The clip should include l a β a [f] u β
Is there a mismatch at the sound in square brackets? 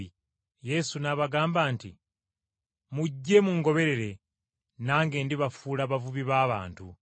yes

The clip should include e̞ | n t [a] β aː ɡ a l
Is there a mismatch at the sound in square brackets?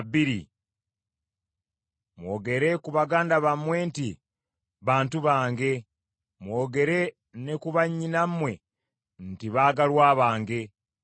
yes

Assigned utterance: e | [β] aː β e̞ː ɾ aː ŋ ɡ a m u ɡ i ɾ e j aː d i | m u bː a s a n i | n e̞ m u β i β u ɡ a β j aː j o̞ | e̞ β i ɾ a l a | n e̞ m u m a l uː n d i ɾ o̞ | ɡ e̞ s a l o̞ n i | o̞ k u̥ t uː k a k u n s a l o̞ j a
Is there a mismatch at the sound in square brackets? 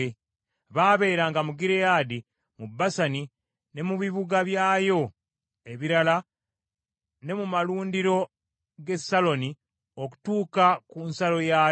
no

